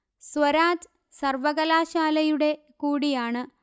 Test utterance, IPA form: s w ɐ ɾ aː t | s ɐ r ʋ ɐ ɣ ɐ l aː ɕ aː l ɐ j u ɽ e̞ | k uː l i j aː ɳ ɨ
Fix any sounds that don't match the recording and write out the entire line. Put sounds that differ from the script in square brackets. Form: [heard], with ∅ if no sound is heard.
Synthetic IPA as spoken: s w ɐ ɾ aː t | s ɐ r ʋ ɐ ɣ ɐ l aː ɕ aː l ɐ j u ɽ e̞ | k uː [ɽ] i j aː ɳ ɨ